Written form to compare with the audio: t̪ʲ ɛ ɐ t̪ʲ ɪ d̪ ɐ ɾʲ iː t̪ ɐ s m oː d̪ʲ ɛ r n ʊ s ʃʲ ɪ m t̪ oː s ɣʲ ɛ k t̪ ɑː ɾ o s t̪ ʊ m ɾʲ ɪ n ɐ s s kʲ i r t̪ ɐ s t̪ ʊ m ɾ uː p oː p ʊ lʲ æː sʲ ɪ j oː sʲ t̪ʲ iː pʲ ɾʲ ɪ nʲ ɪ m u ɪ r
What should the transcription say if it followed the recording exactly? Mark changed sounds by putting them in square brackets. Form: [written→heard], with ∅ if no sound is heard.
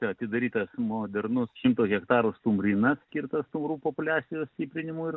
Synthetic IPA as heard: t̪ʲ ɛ ɐ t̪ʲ ɪ d̪ ɐ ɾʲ iː t̪ ɐ s m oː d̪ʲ ɛ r n ʊ s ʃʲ ɪ m t̪ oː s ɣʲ ɛ k t̪ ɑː ɾ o s t̪ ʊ m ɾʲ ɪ n ɐ s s kʲ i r t̪ ɐ s t̪ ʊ m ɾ uː p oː p ʊ lʲ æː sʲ ɪ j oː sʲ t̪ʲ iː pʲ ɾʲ ɪ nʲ ɪ m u ɪ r